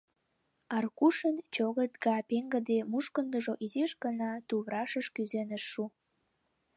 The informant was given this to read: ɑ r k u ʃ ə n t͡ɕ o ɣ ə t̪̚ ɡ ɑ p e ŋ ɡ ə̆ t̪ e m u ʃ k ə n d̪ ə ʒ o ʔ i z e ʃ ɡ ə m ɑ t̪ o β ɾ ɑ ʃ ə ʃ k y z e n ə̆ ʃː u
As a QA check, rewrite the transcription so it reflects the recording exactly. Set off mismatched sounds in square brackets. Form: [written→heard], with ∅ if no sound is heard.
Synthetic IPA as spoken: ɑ r k u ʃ ə n t͡ɕ o ɣ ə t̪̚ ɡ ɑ p e ŋ ɡ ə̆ [t̪→d̪] e m u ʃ k ə n d̪ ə ʒ o ʔ i z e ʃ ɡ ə [m→n] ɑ t̪ [o→u] β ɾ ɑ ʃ ə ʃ k y z e n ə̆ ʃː u